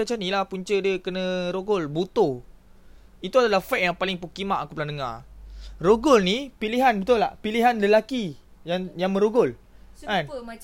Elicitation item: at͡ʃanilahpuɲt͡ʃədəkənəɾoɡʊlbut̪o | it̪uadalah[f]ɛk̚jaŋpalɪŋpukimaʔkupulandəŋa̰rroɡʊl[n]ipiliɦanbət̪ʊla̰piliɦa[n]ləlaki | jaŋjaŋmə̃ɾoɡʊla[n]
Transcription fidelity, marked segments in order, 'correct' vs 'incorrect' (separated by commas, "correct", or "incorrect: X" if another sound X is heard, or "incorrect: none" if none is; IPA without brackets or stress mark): correct, correct, correct, correct